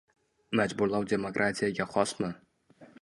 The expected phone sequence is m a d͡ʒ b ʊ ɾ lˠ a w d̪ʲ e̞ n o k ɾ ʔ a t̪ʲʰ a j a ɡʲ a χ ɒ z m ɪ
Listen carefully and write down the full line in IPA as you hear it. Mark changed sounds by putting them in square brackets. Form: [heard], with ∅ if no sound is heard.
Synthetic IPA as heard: m a d͡ʒ b ʊ ɾ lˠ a w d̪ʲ e̞ [m] o k ɾ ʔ a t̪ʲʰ [i] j a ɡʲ a χ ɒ [s] m ɪ